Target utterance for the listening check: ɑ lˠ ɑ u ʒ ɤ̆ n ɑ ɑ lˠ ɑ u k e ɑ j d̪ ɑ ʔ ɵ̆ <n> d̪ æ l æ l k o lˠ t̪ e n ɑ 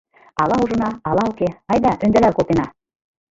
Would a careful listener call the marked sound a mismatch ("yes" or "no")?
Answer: no